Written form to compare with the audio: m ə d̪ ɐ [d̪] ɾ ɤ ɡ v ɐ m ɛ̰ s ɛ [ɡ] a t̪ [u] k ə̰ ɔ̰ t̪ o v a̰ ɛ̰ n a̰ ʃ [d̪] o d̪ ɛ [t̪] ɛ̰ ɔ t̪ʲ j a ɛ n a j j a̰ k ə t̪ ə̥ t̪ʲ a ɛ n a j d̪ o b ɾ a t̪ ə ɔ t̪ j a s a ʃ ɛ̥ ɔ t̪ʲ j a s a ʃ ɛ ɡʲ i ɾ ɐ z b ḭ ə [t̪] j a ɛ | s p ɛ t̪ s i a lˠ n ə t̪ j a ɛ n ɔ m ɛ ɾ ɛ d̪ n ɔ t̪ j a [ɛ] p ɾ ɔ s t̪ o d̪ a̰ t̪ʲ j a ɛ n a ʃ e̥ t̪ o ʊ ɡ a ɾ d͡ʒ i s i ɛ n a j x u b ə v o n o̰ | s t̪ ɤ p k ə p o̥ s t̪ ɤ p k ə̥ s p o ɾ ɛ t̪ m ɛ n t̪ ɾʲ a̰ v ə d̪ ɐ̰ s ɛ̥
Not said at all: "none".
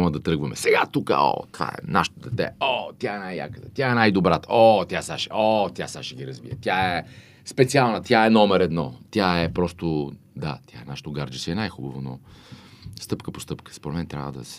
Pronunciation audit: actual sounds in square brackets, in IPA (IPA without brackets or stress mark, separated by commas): t̪, ɡ, u, t̪, t̪, t̪, ɛ